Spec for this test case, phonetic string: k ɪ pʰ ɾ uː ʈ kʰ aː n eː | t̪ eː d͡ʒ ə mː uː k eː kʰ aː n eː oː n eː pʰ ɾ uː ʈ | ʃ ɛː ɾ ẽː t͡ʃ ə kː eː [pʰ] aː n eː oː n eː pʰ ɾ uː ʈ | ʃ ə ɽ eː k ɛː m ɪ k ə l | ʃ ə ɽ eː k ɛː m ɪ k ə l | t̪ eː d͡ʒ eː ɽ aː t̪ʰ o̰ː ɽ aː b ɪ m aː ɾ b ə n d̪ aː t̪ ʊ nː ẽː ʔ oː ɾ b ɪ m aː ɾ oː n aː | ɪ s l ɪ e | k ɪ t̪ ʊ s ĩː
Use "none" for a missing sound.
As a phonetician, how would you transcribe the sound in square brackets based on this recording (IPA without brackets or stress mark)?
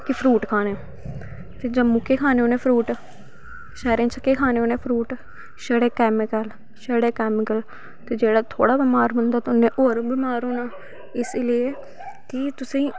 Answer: kʰ